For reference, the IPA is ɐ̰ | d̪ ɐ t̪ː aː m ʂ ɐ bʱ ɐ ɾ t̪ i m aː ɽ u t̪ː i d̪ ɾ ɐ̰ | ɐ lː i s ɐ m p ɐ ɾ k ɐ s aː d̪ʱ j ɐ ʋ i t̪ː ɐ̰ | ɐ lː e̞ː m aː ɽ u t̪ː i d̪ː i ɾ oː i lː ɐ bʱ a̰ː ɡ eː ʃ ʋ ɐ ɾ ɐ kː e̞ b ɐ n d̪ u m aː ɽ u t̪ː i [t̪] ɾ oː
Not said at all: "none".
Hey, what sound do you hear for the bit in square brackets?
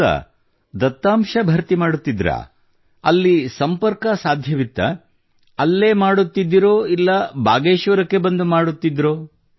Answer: d̪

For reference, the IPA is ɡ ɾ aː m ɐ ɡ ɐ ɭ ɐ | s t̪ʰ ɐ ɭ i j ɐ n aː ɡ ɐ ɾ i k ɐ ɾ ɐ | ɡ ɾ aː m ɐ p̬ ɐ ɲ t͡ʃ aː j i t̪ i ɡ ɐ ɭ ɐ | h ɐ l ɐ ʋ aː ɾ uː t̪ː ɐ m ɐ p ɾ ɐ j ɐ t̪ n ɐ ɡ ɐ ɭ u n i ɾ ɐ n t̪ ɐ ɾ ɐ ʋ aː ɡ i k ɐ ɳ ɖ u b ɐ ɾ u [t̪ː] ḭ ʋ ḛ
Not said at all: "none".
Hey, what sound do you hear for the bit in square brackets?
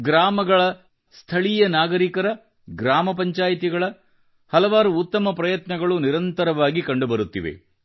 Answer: t̪ː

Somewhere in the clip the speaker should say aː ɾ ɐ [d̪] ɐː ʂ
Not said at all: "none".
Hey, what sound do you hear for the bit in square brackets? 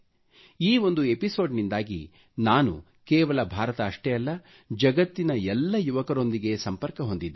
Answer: t̪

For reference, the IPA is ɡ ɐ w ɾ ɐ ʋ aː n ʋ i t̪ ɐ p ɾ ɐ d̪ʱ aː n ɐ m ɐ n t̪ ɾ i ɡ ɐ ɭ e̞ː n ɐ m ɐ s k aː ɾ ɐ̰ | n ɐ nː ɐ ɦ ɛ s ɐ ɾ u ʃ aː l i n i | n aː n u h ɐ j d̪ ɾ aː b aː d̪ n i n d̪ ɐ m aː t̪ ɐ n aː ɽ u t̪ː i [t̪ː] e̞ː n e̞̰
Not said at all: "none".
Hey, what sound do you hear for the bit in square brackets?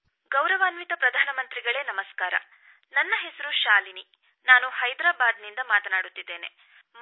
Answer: d̪ː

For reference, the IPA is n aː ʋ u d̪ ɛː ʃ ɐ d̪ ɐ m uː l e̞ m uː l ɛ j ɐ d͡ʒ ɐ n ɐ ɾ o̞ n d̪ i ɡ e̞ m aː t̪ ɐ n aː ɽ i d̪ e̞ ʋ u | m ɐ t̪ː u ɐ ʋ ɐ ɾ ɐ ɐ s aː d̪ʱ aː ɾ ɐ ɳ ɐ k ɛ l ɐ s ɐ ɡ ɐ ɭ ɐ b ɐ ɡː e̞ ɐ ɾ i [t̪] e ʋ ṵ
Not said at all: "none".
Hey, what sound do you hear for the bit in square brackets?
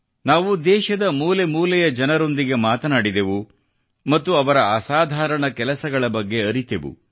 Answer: t̪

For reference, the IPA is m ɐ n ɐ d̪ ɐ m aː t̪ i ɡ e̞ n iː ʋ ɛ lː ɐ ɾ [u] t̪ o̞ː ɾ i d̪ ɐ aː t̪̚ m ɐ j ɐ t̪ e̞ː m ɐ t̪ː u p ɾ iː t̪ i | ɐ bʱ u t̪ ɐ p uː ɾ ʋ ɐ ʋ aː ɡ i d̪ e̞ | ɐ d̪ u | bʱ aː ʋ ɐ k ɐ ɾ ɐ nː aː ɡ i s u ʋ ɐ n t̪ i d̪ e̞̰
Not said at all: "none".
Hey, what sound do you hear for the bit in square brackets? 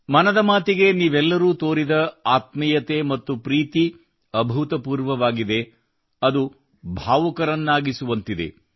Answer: uː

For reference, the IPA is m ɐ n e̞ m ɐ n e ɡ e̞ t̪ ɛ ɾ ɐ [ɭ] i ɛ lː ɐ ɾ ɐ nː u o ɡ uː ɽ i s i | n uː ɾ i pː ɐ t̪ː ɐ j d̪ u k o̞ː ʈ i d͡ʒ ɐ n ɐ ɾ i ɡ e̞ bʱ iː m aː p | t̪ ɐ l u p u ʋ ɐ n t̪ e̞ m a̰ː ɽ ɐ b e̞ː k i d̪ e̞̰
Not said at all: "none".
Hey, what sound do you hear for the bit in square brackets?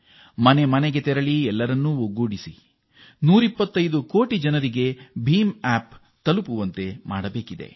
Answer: ɭ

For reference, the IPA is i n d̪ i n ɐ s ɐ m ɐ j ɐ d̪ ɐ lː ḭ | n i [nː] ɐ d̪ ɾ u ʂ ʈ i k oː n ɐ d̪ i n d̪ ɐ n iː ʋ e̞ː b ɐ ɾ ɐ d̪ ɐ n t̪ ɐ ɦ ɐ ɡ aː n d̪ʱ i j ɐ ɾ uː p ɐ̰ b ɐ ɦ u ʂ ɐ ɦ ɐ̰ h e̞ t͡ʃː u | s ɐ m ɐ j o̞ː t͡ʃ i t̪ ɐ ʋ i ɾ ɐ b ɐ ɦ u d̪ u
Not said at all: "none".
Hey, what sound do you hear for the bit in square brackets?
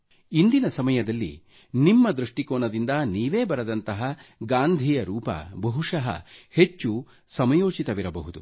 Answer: mː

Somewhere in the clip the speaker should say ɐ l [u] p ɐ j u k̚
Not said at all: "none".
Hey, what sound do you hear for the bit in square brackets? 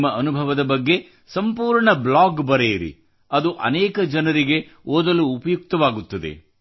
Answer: uː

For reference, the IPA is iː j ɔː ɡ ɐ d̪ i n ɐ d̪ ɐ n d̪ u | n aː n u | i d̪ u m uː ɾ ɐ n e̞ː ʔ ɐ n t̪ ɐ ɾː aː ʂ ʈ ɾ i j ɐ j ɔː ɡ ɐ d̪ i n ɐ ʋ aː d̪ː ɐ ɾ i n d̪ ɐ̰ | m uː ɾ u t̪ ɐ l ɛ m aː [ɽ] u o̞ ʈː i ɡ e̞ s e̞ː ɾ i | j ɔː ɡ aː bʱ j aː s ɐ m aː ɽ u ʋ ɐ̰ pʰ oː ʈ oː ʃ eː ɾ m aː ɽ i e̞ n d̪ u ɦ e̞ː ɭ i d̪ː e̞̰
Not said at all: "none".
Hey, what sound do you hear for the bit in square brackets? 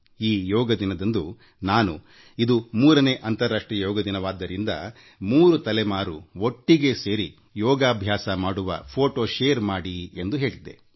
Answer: ɾ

